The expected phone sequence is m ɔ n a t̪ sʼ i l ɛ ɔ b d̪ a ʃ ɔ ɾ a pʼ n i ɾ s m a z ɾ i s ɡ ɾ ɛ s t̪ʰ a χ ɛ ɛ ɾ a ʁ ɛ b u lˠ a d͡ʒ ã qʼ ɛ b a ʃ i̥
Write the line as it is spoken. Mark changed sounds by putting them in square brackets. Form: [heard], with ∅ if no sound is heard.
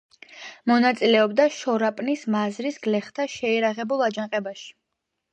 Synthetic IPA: m ɔ n a t̪ sʼ i l ɛ ɔ b d̪ a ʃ ɔ ɾ a pʼ n i [∅] s m a z ɾ i s ɡ [l] ɛ [χ] t̪ʰ a [ʃ] ɛ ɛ ɾ a ʁ ɛ b u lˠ a d͡ʒ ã qʼ ɛ b a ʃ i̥